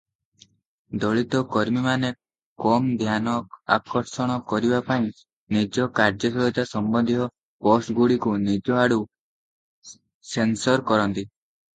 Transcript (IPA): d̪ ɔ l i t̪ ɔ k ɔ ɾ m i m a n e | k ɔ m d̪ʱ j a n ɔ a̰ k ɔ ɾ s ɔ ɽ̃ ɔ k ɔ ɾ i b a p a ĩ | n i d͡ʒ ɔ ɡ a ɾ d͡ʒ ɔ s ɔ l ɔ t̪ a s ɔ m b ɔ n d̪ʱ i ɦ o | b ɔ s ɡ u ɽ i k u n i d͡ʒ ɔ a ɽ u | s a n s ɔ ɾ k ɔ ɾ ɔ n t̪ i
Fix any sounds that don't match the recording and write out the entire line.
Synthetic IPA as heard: d̪ ɔ ɭ i t̪ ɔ k ɔ ɾ m i m a n e | k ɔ m d̪ʱ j a n ɔ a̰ k ɔ ɾ s ɔ ɽ̃ ɔ k ɔ ɾ i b a p a ĩ | n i d͡ʒ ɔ k a ɾ d͡ʒ ɔ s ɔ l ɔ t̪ a s ɔ m b ɔ n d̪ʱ i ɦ ɔ | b ɔ s ɡ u ɽ i k u n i d͡ʒ ɔ a ɽ u | s e n s ɔ ɾ k ɔ ɾ ɔ n t̪ i